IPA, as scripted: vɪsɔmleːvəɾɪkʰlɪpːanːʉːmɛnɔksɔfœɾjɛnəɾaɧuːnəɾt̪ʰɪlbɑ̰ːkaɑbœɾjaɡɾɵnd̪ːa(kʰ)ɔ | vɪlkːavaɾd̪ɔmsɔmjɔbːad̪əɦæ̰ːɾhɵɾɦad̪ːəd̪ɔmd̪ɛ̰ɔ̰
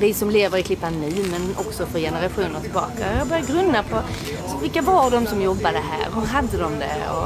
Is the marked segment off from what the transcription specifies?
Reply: yes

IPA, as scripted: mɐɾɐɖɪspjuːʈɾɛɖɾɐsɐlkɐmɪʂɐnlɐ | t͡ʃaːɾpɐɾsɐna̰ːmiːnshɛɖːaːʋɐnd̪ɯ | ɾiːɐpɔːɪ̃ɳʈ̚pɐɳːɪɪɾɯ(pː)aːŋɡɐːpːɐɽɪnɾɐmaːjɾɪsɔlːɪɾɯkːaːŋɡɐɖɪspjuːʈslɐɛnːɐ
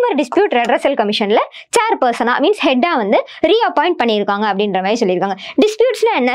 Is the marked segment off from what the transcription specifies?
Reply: yes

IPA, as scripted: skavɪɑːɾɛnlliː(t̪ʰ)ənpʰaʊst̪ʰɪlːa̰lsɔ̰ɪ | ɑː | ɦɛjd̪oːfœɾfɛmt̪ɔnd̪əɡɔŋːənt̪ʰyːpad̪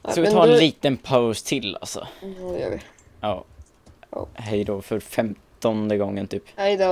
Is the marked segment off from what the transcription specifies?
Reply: yes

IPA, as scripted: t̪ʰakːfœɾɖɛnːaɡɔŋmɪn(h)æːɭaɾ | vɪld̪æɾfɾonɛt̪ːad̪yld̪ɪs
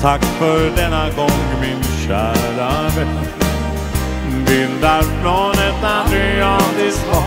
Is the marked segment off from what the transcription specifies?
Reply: yes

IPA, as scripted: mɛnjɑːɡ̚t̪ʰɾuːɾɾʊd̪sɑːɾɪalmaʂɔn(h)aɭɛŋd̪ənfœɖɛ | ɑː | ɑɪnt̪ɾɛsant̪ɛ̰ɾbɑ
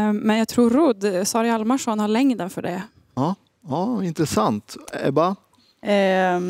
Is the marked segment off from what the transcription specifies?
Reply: no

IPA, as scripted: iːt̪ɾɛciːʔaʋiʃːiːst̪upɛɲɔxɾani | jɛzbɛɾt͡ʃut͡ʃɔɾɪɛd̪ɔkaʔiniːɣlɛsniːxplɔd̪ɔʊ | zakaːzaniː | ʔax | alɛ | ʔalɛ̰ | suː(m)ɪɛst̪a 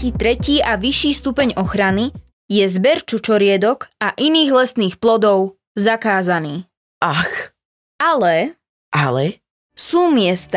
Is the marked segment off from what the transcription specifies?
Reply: no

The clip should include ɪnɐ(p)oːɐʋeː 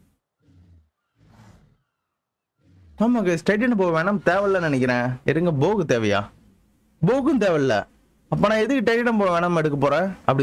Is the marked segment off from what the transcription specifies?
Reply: no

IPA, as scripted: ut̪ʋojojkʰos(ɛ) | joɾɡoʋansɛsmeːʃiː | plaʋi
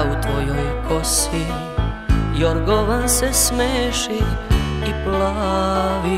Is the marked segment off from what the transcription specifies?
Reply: yes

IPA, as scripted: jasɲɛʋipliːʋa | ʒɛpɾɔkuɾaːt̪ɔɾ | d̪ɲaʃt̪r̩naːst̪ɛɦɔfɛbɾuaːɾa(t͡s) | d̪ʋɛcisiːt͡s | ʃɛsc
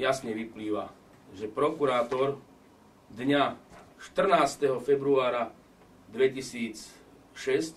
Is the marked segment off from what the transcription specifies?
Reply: yes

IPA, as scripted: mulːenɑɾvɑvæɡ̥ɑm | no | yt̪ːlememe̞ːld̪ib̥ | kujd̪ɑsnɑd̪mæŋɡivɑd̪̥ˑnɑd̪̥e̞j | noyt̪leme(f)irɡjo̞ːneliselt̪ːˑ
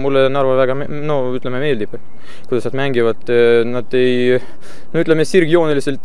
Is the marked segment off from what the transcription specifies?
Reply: yes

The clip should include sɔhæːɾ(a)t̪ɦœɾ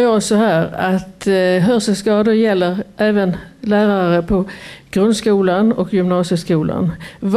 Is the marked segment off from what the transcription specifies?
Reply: no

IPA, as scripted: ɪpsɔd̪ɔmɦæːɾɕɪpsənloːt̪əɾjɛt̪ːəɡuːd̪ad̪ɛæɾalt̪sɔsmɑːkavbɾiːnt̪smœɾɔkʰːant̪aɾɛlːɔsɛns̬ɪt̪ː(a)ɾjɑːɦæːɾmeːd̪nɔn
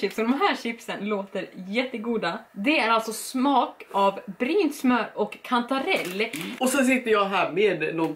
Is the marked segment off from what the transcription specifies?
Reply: yes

